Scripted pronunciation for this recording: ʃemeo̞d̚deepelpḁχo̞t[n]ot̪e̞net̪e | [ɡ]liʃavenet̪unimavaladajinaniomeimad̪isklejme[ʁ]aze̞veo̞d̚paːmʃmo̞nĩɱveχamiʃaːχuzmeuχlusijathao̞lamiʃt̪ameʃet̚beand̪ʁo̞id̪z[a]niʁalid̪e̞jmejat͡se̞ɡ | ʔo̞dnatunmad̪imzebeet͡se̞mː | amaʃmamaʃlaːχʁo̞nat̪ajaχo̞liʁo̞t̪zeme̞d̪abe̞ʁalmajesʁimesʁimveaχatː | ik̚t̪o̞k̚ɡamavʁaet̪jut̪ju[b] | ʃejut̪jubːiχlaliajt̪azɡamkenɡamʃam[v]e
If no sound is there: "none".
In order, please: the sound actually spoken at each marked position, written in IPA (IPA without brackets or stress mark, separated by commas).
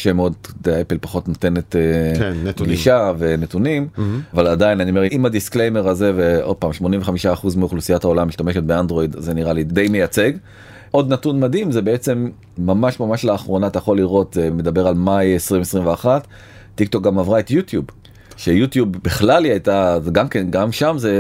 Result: n, ɡ, ʁ, e, b, z